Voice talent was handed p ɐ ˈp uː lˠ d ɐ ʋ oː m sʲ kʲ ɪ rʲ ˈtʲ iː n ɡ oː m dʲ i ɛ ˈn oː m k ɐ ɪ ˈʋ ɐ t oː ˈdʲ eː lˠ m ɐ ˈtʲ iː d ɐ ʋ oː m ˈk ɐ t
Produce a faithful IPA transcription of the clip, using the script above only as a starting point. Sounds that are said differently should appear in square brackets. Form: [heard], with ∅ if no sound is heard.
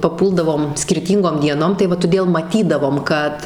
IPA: p ɐ ˈp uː lˠ d ɐ ʋ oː m sʲ kʲ ɪ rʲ ˈtʲ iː [ŋ] ɡ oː m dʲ i ɛ ˈn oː m [t] ɐ ɪ ˈʋ ɐ t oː ˈdʲ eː lˠ m ɐ ˈtʲ iː d ɐ ʋ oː m ˈk ɐ t